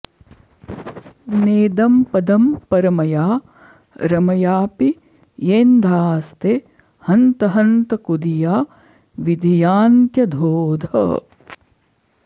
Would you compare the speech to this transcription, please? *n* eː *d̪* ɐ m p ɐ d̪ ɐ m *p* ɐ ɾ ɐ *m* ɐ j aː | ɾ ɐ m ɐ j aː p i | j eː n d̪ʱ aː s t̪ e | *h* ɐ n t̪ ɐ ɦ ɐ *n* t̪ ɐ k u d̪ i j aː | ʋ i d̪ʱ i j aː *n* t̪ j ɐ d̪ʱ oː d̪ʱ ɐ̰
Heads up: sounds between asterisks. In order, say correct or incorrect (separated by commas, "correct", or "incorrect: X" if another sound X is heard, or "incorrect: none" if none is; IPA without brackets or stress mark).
correct, correct, correct, correct, correct, correct, correct